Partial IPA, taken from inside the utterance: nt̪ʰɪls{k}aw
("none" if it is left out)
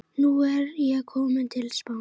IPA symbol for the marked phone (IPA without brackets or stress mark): p